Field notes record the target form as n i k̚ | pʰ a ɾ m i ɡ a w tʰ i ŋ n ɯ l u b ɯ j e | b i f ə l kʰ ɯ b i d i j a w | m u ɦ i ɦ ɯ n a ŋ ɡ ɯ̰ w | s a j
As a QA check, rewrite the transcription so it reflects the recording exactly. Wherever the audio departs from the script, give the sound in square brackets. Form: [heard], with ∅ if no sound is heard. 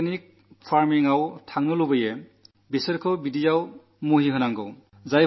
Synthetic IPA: n i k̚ | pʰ a ɾ m i [ŋ] a w tʰ [a] ŋ n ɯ l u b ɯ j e | b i [s] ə [ɾ] kʰ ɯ b i d i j a w | m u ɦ i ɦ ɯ n a ŋ ɡ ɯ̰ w | [z] a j